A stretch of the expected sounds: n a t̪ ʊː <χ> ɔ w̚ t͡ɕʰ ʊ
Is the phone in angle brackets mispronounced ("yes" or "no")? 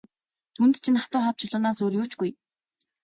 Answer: no